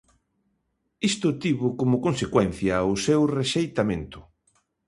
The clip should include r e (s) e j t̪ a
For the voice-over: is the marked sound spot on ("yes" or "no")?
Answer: no